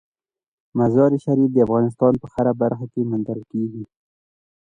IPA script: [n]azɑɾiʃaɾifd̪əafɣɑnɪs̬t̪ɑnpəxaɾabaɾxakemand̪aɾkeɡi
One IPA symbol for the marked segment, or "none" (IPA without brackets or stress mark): m